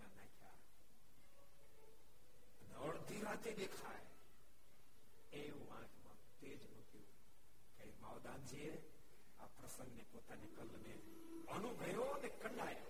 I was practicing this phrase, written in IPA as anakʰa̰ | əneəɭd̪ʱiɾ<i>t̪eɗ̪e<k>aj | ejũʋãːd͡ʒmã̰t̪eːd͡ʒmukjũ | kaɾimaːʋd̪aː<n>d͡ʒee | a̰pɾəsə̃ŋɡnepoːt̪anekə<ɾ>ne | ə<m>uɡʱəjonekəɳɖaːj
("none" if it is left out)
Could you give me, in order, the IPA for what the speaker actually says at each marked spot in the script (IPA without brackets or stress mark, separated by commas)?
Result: a, kʰ, n, l, n